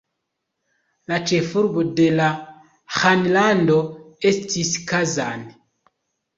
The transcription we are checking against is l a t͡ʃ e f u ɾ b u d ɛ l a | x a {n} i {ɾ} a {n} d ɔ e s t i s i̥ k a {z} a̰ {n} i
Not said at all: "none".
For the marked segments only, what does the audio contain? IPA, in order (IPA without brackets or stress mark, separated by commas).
n, l, n, z, n